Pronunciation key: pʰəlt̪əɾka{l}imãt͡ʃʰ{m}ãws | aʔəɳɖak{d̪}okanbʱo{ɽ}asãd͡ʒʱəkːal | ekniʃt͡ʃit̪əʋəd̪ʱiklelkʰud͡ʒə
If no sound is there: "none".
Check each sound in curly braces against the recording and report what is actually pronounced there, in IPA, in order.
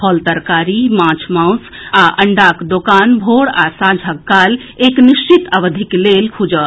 ɾ, m, d̪, ɽ

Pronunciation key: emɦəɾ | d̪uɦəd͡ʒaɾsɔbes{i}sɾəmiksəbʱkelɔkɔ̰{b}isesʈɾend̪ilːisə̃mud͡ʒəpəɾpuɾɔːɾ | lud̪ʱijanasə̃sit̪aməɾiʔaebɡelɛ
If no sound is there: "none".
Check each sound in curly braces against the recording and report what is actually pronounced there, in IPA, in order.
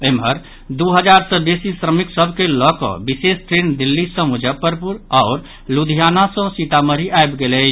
i, b

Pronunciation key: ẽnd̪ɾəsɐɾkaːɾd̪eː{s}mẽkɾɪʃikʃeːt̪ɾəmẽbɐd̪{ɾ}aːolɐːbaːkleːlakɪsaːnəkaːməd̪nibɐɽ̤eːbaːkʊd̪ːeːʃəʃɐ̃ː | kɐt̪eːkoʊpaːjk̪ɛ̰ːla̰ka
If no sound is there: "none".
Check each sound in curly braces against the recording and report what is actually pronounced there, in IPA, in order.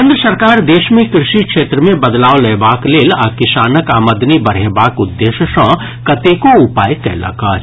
ʃ, l

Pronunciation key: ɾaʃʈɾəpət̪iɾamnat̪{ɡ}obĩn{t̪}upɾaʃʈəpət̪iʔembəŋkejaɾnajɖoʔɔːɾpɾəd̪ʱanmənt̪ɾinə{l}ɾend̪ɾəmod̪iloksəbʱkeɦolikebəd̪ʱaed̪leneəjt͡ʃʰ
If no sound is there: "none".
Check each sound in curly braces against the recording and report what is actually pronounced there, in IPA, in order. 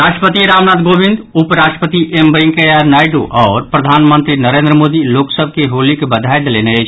ɡ, d̪, none

